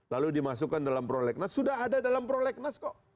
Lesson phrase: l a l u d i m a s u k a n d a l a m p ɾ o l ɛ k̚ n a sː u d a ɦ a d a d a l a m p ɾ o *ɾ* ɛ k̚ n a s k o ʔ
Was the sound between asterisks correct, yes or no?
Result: no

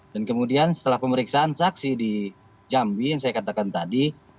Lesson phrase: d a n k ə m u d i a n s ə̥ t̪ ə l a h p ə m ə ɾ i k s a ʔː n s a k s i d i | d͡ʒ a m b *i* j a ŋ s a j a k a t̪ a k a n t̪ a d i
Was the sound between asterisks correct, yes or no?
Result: yes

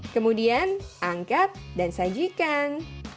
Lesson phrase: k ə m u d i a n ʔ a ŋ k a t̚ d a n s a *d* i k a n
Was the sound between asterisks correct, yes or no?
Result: no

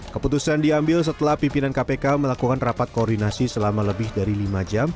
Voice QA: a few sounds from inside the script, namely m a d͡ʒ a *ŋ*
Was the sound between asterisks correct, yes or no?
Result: no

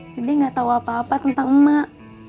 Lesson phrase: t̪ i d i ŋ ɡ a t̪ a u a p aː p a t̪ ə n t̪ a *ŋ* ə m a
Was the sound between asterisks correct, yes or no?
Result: yes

